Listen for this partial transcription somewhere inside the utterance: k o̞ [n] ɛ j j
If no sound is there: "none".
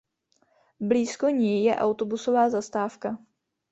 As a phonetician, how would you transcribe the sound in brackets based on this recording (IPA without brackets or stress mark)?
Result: ɲ